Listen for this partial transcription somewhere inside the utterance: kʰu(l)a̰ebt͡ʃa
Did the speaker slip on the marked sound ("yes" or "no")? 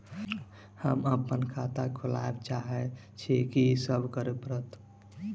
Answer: no